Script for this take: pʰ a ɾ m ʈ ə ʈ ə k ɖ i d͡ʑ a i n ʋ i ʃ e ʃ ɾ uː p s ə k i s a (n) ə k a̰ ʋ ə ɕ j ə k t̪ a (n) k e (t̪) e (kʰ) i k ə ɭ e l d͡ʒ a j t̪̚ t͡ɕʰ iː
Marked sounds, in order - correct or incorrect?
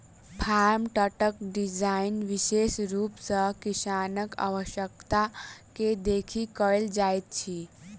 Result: correct, incorrect, incorrect, correct

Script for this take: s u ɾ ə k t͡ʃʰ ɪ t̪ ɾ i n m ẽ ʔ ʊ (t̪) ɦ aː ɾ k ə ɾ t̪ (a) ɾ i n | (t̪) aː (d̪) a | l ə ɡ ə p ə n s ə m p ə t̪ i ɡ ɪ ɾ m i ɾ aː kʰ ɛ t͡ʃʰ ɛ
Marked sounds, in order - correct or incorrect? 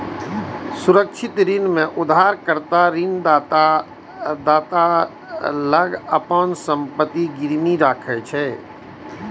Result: incorrect, correct, incorrect, incorrect

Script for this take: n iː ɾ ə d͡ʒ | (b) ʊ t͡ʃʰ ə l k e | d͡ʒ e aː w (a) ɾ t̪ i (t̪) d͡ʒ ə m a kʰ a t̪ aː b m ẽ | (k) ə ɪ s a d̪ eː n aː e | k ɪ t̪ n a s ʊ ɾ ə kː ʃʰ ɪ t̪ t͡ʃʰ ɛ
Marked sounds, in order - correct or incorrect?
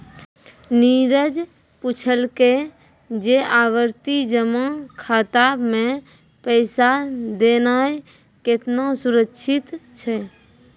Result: incorrect, incorrect, incorrect, incorrect

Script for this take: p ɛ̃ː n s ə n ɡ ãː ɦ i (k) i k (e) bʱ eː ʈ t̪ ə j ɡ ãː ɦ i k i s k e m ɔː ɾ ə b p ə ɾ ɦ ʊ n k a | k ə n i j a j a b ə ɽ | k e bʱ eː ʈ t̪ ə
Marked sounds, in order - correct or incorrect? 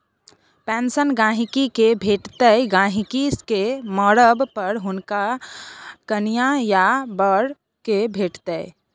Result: correct, correct

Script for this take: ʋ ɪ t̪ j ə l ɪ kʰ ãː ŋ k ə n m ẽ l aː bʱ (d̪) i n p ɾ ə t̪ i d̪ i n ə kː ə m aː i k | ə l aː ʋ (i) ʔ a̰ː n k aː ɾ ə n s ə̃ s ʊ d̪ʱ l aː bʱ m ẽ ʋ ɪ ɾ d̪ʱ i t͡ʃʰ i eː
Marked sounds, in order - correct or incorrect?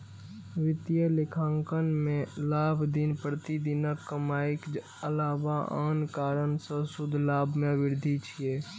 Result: correct, incorrect

